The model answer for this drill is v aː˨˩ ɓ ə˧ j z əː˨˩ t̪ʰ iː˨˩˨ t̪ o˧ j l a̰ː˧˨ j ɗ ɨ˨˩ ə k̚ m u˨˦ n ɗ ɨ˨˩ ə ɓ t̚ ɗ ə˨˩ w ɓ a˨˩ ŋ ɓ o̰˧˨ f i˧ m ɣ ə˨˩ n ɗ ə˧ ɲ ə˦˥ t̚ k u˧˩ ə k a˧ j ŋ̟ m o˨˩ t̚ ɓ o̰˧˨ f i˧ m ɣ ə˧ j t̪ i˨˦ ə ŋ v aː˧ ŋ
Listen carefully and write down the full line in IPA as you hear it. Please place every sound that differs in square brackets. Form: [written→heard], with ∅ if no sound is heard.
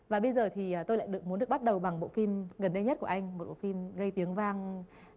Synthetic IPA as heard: v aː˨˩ ɓ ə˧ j z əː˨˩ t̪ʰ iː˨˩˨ t̪ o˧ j l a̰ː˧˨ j ɗ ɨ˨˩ ə k̚ m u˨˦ n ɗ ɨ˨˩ ə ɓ t̚ ɗ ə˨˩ w ɓ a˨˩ ŋ ɓ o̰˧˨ f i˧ m ɣ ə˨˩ n ɗ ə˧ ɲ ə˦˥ t̚ k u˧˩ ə [k→ʔ] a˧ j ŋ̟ m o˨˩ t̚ ɓ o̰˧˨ f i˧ m ɣ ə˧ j t̪ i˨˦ ə ŋ v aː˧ ŋ

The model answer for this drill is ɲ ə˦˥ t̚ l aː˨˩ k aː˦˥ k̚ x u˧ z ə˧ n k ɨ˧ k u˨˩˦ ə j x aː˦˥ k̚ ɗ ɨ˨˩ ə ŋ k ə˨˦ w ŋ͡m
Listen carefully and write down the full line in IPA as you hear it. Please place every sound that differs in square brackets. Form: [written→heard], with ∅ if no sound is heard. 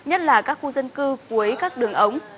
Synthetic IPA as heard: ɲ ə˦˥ t̚ l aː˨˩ k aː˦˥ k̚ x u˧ z ə˧ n k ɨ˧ k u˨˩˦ ə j [x→k] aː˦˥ k̚ ɗ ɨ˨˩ ə ŋ [k→ʔ] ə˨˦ w ŋ͡m

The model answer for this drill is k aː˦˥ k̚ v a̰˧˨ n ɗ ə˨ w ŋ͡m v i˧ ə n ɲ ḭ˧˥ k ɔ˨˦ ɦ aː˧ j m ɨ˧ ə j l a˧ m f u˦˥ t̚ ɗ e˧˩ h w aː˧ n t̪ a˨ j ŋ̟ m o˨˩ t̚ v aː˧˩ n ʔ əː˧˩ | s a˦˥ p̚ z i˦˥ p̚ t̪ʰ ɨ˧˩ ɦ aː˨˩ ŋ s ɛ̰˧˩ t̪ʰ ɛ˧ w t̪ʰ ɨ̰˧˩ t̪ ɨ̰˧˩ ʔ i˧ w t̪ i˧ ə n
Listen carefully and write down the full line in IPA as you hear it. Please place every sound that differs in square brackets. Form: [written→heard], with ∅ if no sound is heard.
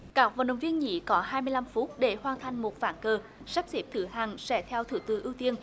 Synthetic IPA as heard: k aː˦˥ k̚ v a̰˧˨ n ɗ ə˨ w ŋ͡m v i˧ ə n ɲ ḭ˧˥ k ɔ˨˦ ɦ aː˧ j m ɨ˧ ə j l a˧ m f u˦˥ t̚ ɗ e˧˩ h w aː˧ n [t̪→t̪ʰ] a˨ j ŋ̟ m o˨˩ t̚ v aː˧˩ n [ʔ→k] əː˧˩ | s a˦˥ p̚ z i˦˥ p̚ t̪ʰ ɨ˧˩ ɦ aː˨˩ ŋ s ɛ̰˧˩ t̪ʰ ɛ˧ w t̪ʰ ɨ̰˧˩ t̪ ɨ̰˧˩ ʔ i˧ w t̪ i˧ ə n

